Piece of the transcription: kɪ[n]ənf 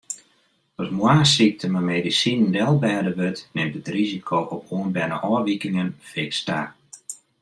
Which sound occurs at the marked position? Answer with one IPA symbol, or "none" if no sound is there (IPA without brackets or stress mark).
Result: ŋ